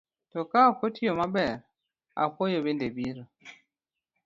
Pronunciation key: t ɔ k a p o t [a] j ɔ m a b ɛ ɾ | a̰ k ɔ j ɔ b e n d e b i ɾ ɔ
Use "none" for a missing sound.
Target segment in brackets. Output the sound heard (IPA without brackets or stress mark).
i